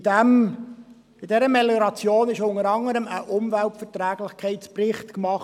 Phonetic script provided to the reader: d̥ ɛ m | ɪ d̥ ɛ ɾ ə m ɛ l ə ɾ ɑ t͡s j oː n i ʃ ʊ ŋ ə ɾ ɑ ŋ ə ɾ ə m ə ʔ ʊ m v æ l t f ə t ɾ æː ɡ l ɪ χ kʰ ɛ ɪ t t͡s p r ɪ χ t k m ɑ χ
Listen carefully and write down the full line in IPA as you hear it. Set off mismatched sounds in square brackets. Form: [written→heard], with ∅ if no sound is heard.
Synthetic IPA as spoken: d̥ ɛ m | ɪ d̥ ɛ ɾ ə m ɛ l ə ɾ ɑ t͡s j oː n [i→ɪ] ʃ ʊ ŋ ə ɾ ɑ ŋ ə ɾ ə m ə ʔ ʊ m v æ l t f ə t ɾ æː ɡ l ɪ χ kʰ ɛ ɪ t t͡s p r ɪ χ t k m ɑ χ